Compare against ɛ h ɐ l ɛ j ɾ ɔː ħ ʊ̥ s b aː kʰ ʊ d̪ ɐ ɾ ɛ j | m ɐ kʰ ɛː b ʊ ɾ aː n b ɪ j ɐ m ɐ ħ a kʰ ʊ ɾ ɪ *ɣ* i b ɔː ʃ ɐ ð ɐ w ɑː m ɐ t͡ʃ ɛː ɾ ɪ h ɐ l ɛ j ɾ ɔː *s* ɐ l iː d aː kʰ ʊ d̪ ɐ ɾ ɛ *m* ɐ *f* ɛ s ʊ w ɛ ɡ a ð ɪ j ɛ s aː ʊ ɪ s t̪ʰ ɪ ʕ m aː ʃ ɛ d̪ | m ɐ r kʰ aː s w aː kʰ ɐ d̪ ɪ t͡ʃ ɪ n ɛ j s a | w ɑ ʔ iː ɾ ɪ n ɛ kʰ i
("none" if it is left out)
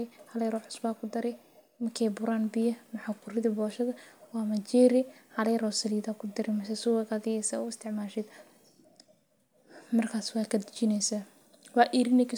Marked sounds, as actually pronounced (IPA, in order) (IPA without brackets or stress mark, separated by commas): ð, s, m, s